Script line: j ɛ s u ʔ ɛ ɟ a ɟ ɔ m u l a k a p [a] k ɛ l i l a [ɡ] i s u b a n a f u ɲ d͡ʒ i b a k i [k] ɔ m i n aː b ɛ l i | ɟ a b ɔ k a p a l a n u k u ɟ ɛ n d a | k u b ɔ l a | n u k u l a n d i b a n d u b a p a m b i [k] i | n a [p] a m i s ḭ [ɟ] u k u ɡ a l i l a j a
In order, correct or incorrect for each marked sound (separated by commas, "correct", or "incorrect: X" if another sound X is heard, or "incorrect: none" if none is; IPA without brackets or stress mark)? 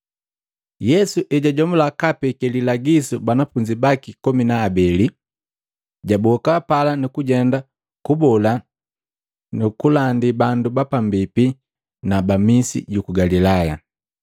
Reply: incorrect: ɛ, correct, correct, incorrect: p, incorrect: b, correct